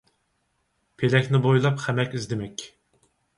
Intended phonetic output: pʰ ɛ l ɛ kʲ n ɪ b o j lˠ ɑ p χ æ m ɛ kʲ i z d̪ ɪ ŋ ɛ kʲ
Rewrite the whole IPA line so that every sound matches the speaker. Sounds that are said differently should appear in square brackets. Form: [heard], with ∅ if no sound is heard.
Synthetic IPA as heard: pʰ [e] l ɛ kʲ n ɪ b o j lˠ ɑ p χ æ m ɛ kʲ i z d̪ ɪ [m] ɛ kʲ